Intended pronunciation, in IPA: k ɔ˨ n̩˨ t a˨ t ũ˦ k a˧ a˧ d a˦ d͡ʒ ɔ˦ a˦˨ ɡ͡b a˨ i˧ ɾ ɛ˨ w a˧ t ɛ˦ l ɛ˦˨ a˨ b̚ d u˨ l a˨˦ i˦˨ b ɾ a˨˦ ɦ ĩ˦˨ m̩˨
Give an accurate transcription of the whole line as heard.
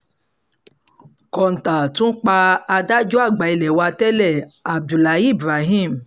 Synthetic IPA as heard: k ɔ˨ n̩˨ t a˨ t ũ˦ k͡p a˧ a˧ d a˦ d͡ʒ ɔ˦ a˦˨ ɡ͡b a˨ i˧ l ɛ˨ w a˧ t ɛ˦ l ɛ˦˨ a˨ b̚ d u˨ l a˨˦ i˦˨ b ɾ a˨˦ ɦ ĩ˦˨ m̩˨